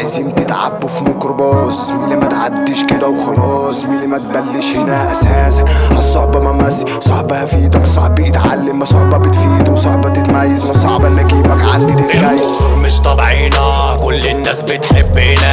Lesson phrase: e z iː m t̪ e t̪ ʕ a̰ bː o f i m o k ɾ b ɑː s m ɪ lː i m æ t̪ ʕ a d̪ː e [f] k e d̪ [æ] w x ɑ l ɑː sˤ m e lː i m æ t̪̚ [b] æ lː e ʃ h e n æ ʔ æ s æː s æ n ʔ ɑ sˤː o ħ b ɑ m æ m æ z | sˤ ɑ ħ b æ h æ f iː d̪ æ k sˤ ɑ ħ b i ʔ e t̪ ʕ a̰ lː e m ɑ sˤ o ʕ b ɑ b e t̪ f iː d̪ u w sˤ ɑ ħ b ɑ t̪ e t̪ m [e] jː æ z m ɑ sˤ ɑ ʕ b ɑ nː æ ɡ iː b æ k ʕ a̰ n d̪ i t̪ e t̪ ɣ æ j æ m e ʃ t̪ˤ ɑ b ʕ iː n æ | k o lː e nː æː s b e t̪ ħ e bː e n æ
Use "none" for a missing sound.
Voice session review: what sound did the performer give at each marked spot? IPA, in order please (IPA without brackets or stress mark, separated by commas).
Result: ʃ, æ, b, æ